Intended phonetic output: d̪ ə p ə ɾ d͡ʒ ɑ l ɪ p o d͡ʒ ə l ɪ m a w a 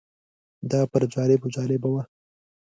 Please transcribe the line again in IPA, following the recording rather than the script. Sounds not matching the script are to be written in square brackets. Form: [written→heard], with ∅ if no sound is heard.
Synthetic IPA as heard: d̪ [ə→ɑ] p ə ɾ d͡ʒ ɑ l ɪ [p→b] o d͡ʒ [ə→ɑ] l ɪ [m→b] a w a